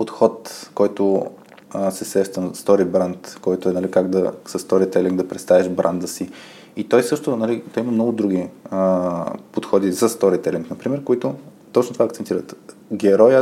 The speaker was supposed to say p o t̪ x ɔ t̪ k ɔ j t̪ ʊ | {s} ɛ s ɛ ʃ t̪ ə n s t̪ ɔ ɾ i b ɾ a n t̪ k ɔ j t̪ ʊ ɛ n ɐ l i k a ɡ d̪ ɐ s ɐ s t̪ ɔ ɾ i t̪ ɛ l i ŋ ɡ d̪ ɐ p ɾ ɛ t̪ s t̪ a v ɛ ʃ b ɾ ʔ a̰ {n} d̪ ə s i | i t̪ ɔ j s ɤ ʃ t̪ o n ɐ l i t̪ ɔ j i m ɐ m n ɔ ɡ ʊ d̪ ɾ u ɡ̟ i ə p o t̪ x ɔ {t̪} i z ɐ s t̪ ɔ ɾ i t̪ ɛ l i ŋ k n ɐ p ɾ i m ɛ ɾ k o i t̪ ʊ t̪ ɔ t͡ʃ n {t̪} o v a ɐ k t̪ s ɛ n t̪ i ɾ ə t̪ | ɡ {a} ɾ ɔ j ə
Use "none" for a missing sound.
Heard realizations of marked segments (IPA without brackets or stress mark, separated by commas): s, n, d̪, t̪, ɛ